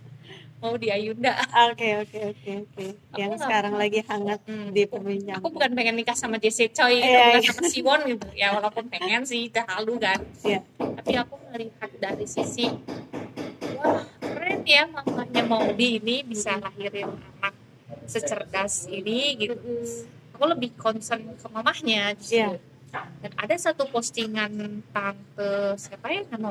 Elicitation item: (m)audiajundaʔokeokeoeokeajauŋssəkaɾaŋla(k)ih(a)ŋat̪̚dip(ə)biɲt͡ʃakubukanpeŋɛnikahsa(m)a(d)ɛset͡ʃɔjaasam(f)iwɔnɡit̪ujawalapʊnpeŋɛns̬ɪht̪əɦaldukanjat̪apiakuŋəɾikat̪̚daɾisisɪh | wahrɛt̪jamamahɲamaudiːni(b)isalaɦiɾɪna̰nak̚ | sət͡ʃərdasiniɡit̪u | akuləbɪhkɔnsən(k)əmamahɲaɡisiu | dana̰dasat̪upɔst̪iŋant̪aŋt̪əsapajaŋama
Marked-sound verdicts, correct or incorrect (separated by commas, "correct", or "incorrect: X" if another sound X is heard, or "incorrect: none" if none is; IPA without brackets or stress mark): correct, incorrect: ɡ, correct, correct, correct, incorrect: d͡ʒ, incorrect: s, correct, correct